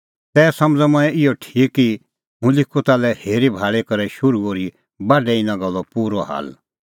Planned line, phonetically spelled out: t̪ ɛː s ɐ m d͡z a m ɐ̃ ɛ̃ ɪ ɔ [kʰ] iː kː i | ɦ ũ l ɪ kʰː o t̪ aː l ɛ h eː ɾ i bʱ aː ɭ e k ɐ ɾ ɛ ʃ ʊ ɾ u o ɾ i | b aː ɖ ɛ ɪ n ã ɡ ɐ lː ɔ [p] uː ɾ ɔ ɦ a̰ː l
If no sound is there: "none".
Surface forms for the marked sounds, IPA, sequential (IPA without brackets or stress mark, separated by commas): ʈʰ, p